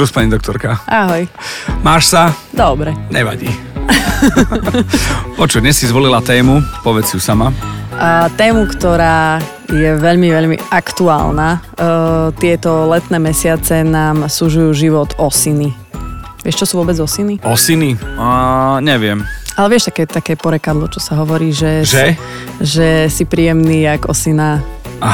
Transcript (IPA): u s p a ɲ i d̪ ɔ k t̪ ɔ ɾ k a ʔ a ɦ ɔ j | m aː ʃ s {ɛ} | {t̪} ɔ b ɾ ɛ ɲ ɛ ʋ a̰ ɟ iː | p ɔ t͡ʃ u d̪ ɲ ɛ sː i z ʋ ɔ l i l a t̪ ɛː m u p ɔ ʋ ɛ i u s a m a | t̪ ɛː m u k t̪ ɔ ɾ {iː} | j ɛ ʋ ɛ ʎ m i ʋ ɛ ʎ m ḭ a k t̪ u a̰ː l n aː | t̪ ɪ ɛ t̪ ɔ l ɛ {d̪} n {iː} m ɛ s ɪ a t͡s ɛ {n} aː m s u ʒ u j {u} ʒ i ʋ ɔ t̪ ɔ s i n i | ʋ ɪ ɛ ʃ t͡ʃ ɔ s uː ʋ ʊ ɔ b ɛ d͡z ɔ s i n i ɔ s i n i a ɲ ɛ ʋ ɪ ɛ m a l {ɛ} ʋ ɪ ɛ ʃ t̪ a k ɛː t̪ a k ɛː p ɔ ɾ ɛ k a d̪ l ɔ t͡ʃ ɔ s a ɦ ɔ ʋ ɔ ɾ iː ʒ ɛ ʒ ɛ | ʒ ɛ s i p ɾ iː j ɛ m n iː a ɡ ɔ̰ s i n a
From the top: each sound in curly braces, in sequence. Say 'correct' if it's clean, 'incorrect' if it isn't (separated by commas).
incorrect, incorrect, incorrect, incorrect, incorrect, correct, incorrect, correct